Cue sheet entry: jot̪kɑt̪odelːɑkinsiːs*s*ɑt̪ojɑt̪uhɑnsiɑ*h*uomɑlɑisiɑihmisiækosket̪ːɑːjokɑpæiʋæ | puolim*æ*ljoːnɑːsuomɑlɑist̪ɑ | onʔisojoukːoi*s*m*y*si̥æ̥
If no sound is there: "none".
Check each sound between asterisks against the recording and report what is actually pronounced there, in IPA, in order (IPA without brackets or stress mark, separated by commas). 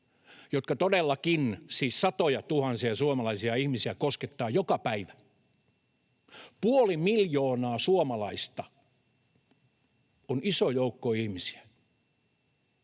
s, s, i, h, i